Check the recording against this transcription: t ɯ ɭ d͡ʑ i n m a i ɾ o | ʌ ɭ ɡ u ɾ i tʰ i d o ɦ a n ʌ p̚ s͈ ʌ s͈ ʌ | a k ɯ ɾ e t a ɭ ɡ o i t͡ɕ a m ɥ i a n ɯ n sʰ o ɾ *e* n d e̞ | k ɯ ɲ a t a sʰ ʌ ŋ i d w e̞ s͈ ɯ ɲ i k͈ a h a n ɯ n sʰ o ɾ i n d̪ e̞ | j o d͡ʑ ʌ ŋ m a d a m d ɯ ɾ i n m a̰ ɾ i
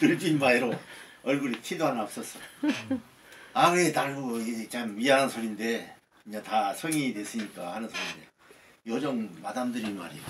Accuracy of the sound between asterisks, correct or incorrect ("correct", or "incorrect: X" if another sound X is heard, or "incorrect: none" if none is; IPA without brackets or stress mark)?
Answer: incorrect: i